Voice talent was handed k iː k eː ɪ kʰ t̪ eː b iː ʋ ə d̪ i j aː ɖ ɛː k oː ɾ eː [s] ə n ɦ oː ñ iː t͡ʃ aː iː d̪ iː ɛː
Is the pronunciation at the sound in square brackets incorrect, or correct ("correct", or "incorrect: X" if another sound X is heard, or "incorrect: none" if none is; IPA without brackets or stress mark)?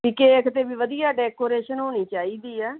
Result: incorrect: ʃ